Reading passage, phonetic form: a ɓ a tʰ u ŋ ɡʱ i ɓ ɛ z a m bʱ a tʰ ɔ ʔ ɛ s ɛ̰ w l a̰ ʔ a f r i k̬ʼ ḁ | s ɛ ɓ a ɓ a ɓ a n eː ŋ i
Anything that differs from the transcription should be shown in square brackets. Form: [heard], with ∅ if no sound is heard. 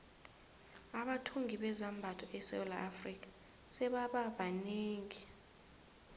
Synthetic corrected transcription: a ɓ a tʰ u ŋ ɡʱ i ɓ ɛ z a m bʱ a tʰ ɔ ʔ ɛ s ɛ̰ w l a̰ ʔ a f r i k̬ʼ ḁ | s ɛ ɓ a ɓ a ɓ a n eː ŋ i